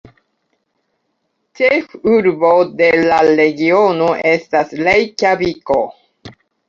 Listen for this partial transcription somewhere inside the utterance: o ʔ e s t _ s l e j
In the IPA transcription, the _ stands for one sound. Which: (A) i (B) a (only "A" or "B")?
B